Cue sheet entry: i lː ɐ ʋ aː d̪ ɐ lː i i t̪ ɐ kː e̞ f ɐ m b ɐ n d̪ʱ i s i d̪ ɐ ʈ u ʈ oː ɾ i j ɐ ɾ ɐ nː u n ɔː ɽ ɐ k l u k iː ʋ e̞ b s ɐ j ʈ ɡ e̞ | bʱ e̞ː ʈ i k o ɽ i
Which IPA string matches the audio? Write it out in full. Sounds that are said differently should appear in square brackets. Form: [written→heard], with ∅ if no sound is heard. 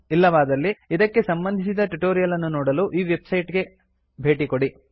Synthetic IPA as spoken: i lː ɐ ʋ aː d̪ ɐ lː i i [t̪→d̪] ɐ kː e̞ [f→s] ɐ m b ɐ n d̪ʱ i s i d̪ ɐ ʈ u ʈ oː ɾ i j ɐ [ɾ→l] ɐ nː u n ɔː ɽ ɐ [k→∅] l u [k→ʔ] iː ʋ e̞ b s ɐ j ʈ ɡ e̞ | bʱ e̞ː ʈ i k o ɽ i